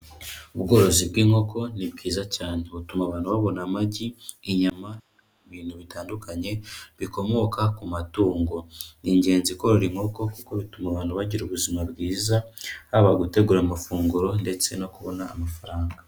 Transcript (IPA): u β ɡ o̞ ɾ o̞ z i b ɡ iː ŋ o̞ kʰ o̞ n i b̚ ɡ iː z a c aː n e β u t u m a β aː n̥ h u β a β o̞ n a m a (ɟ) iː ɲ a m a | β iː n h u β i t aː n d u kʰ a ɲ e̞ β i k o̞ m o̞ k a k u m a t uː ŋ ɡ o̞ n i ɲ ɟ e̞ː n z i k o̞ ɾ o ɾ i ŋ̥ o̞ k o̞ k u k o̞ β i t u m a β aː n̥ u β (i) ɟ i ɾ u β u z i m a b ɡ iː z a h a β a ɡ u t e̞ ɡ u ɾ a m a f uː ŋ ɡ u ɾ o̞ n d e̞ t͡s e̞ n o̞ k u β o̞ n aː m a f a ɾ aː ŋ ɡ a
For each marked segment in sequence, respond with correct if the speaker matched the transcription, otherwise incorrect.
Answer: correct, incorrect: a

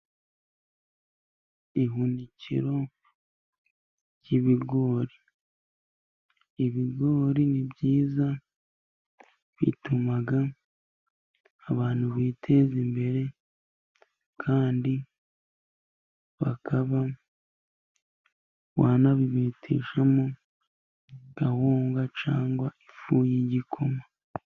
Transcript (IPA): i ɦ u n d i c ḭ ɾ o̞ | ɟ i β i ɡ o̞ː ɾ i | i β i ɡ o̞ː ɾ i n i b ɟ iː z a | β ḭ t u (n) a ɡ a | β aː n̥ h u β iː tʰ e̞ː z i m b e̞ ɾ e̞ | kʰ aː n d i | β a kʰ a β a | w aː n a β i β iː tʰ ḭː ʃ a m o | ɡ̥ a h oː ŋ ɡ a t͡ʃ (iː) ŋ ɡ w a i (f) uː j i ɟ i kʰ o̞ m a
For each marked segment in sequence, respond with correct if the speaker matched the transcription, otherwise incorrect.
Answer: incorrect: m, incorrect: aː, correct

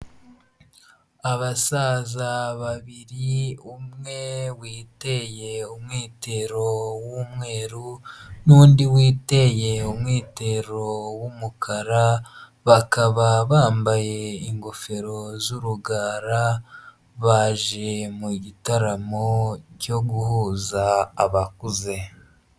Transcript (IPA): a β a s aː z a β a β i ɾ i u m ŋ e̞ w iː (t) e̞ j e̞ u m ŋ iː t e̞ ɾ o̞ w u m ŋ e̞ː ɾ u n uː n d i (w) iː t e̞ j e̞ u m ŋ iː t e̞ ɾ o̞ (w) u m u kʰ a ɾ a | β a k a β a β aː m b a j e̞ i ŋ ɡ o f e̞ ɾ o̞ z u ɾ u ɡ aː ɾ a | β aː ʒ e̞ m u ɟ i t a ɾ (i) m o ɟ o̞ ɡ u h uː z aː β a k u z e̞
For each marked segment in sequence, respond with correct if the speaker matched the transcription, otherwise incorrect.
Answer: correct, correct, correct, incorrect: a

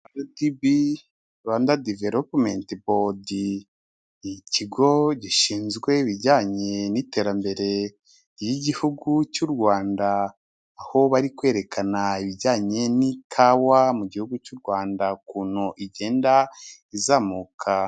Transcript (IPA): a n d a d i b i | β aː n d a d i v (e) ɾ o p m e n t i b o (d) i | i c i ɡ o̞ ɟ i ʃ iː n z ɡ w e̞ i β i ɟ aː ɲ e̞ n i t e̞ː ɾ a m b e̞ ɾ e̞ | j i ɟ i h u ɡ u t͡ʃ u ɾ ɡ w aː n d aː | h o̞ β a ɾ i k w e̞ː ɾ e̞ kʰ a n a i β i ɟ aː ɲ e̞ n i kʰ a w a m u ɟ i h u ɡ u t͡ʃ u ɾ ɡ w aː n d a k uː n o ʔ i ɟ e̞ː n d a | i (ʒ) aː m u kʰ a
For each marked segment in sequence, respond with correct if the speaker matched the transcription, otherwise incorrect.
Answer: correct, correct, incorrect: z

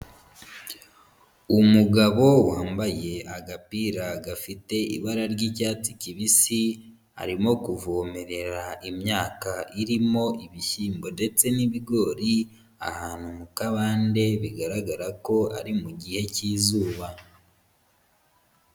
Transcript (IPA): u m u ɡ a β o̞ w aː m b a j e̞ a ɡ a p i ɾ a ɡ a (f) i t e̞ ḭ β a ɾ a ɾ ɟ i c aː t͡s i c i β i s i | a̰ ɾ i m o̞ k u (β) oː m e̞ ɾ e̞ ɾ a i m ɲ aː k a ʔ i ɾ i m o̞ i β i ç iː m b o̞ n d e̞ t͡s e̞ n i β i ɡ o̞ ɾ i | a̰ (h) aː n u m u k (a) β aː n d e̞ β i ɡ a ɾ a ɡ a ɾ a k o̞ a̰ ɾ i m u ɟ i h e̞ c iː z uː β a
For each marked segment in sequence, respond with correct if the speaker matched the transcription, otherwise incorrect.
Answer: correct, incorrect: v, correct, correct

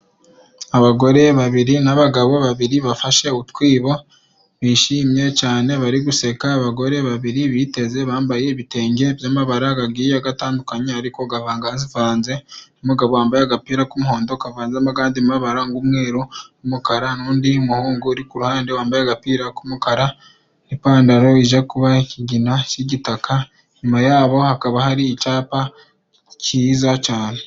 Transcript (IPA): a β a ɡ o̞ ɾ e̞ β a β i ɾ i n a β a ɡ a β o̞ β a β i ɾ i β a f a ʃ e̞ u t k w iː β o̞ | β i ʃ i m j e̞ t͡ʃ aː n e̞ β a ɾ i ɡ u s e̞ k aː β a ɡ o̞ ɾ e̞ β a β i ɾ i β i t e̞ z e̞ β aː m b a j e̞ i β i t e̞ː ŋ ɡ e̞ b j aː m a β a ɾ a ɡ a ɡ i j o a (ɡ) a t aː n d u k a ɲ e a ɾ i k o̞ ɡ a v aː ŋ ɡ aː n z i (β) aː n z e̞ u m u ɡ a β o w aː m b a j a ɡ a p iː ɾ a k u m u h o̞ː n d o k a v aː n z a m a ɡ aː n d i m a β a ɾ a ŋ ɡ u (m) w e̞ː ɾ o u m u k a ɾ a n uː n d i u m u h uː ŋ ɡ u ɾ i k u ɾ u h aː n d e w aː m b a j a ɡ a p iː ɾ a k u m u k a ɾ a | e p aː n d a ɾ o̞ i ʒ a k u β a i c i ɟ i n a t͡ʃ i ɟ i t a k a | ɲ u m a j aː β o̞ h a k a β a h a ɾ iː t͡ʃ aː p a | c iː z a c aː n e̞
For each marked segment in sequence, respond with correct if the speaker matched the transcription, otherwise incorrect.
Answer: correct, incorrect: v, correct

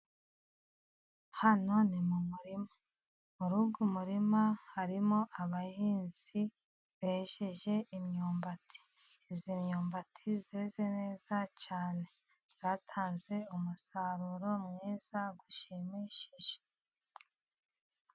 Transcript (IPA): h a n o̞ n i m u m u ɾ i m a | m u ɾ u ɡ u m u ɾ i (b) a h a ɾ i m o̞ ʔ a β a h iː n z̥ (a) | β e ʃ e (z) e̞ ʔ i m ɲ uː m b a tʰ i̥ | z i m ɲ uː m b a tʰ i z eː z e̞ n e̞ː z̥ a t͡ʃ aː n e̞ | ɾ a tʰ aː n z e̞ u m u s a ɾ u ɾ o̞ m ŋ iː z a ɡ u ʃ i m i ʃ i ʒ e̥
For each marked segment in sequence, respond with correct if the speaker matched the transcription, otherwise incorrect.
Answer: incorrect: m, incorrect: i, incorrect: ʒ

